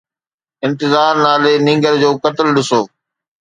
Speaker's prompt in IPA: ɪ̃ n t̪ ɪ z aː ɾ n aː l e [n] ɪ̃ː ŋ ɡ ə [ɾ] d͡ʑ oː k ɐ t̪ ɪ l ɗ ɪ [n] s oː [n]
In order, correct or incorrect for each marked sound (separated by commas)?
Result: correct, correct, incorrect, incorrect